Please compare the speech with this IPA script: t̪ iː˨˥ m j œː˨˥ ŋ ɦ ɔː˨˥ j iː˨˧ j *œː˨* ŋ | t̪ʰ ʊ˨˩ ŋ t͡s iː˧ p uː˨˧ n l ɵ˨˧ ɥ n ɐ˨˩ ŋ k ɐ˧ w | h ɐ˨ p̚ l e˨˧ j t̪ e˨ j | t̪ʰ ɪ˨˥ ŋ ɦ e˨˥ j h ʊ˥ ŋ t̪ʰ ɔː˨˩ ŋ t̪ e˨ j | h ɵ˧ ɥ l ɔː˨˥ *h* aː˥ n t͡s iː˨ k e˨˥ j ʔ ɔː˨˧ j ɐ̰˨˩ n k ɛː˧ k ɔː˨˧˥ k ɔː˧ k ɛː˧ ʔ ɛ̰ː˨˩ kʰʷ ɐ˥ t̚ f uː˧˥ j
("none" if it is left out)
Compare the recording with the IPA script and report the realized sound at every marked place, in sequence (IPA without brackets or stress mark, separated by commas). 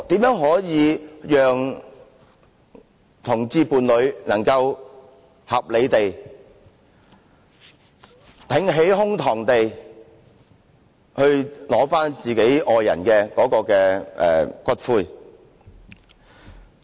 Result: œː˨, f